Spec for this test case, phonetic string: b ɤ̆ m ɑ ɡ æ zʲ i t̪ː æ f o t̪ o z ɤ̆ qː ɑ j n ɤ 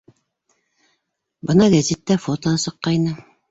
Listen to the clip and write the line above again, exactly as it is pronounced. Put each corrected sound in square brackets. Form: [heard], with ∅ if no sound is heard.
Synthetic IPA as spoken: b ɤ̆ [n] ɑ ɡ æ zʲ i t̪ː æ f o t̪ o [s] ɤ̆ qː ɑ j n ɤ